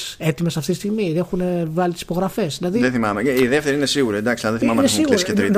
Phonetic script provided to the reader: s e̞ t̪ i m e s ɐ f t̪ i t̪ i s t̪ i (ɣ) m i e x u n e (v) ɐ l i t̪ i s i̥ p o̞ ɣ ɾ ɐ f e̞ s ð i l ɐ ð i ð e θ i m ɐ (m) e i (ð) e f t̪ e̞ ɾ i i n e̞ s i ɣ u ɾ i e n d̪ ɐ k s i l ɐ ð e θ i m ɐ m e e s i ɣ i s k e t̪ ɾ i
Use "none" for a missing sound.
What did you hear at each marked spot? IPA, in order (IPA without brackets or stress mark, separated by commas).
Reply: ɣ, v, m, ð